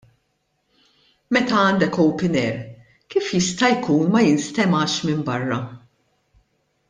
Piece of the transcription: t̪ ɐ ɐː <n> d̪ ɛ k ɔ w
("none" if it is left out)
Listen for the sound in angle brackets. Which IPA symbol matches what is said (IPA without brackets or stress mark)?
n